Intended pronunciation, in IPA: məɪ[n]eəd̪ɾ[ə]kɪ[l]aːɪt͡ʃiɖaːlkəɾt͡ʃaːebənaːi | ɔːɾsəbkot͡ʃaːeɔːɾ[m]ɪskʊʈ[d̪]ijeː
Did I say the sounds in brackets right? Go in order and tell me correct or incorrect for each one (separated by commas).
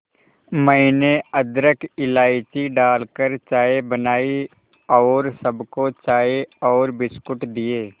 correct, correct, correct, incorrect, correct